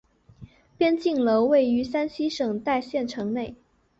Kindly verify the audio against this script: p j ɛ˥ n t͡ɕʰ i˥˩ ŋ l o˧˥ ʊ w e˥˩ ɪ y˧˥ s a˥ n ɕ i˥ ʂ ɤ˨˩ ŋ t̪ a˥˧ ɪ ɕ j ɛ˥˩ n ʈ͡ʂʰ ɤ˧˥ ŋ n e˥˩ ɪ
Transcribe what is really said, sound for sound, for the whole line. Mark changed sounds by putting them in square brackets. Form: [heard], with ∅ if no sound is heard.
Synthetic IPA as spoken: p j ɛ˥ n [t͡ɕ] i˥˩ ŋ l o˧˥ ʊ w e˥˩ ɪ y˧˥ s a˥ n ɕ i˥ ʂ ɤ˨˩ ŋ t̪ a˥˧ ɪ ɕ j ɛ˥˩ n ʈ͡ʂʰ ɤ˧˥ ŋ n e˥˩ ɪ